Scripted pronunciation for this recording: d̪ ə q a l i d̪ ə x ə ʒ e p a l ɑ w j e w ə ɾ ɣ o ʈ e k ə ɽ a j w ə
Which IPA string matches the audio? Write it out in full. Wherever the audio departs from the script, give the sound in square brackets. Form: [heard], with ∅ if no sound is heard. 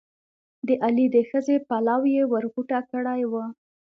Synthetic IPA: d̪ ə [ʔ] a l i d̪ ə x ə [z] e p a l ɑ w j e w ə ɾ ɣ [u] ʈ [a] k ə ɽ a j w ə